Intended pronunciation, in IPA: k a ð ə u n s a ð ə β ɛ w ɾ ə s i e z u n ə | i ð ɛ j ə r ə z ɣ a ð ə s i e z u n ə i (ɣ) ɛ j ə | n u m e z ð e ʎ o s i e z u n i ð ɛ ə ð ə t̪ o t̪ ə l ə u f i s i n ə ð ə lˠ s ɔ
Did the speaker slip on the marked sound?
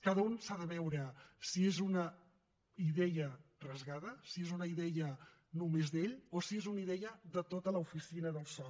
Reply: yes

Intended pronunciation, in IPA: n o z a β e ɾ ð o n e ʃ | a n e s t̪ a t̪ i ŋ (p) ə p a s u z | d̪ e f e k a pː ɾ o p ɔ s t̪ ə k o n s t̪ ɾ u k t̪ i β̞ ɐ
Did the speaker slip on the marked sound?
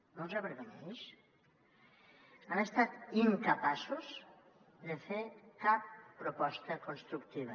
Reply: yes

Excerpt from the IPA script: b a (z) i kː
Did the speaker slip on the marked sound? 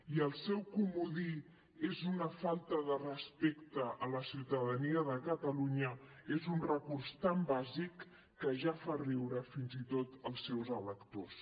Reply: no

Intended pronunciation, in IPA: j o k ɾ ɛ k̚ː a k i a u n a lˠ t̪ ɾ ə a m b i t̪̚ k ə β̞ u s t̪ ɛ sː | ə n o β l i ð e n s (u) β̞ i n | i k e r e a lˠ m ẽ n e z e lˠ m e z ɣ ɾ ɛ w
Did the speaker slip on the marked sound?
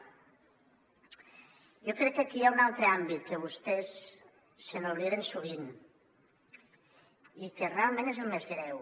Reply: no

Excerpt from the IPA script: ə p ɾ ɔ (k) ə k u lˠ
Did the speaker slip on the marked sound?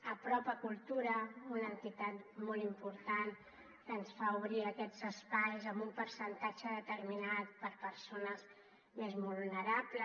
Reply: yes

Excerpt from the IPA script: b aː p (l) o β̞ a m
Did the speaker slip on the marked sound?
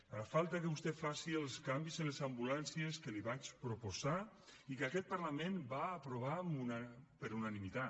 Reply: yes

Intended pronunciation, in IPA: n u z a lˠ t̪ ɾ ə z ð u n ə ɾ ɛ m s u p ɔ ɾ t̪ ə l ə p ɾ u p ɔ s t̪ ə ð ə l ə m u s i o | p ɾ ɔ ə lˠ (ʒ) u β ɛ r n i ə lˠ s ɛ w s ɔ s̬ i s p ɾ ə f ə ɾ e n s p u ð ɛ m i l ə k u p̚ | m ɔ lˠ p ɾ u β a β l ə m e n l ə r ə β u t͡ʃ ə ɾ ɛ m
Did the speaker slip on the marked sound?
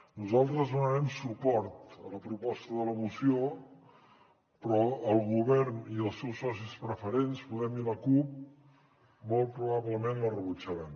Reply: yes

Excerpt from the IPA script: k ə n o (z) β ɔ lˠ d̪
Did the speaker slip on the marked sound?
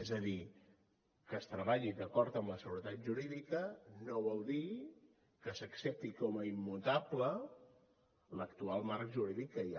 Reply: yes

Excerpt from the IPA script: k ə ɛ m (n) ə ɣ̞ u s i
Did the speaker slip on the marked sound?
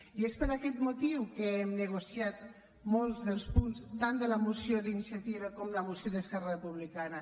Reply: no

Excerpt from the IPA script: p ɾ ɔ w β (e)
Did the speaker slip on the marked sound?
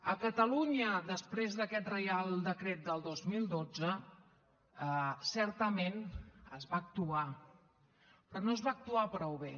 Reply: no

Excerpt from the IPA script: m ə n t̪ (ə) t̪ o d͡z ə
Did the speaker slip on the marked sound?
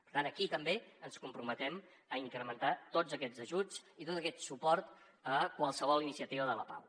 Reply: yes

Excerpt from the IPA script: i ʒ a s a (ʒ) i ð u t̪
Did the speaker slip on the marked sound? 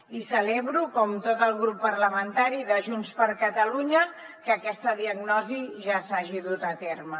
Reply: no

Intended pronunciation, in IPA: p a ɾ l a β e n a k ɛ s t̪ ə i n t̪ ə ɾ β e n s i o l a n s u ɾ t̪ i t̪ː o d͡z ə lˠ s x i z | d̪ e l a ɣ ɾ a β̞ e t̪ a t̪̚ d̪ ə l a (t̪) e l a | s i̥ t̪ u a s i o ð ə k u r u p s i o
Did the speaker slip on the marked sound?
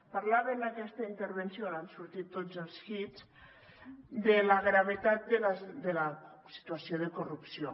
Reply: yes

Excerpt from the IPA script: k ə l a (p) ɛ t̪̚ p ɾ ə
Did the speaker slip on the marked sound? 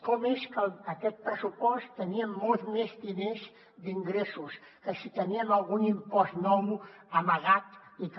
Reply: yes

